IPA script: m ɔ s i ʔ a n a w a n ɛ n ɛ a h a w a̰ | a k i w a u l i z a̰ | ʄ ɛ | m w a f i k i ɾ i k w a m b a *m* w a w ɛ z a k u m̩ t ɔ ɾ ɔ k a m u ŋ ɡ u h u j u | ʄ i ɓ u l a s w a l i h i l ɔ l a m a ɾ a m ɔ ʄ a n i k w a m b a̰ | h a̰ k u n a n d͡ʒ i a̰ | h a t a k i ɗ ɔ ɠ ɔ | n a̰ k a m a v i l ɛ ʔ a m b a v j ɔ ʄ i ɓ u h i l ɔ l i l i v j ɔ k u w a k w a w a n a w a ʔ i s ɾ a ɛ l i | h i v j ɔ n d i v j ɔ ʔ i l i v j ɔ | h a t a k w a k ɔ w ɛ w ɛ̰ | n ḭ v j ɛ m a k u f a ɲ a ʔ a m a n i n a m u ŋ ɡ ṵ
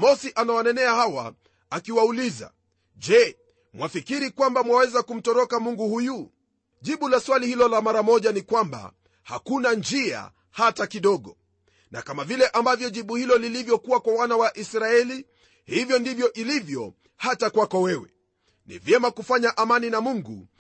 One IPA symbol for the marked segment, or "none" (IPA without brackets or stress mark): m